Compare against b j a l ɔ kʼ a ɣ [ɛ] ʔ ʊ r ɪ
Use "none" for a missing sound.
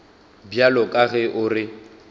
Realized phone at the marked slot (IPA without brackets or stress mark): ɛ